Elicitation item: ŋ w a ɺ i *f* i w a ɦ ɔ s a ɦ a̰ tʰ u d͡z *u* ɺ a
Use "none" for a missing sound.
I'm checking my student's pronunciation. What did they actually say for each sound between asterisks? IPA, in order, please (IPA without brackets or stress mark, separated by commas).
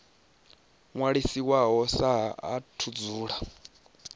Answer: s, uː